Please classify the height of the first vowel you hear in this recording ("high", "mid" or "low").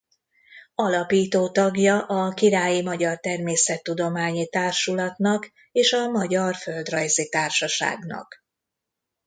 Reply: low